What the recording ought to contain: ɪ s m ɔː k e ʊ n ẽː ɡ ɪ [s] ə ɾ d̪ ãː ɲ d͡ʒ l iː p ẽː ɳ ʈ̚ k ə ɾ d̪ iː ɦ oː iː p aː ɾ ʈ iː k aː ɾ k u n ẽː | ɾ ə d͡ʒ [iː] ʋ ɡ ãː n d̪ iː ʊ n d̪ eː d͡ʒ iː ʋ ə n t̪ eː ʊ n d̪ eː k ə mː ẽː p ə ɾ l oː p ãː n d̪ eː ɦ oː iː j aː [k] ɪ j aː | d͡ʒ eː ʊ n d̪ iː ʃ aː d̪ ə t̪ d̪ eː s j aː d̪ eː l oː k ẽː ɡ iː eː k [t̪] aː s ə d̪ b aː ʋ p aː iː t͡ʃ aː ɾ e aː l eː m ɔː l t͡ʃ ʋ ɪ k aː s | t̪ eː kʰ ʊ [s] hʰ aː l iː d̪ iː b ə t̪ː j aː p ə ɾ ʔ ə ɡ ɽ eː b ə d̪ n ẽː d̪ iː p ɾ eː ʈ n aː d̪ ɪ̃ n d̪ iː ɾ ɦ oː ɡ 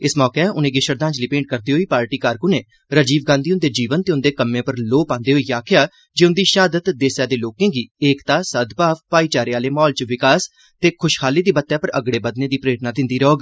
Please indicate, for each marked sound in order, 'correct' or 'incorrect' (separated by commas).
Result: incorrect, correct, incorrect, correct, incorrect